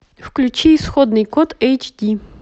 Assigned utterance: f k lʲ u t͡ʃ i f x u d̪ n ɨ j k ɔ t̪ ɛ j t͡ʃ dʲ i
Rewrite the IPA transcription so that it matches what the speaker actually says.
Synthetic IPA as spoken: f k lʲ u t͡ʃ i s x ɔ d̪ n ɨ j k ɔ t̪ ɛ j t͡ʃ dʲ i

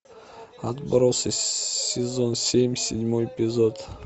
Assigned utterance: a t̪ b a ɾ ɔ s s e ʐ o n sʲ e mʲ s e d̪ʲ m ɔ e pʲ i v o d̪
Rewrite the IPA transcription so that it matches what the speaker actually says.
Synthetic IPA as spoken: a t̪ b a ɾ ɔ s s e z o n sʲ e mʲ s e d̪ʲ m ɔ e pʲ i z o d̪

